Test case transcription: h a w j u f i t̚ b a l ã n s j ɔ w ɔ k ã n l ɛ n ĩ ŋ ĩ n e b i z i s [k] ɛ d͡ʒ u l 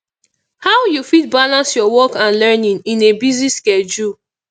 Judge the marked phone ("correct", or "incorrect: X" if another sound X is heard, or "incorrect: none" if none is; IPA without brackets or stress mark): correct